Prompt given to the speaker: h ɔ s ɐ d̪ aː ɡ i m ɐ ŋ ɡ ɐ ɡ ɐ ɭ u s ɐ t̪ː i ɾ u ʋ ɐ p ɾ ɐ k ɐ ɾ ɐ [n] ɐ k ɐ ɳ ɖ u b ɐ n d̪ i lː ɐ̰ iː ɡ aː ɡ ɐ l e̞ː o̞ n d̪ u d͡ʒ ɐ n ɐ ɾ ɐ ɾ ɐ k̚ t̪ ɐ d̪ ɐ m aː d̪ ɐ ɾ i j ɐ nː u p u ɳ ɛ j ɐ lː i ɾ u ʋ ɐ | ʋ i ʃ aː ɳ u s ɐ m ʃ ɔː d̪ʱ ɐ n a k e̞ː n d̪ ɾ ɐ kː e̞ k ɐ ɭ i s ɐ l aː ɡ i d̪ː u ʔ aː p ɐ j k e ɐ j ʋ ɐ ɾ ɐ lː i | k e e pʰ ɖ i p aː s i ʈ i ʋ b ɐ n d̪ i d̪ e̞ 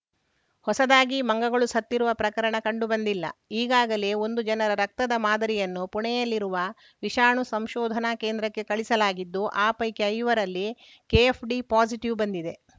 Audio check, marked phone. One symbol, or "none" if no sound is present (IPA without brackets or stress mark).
ɳ